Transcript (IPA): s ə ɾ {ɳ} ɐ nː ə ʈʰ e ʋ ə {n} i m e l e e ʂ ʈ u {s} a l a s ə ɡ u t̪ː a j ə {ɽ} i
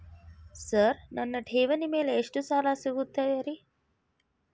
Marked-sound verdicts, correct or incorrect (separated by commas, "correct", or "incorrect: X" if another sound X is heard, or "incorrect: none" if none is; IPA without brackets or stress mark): incorrect: n, correct, correct, incorrect: ɾ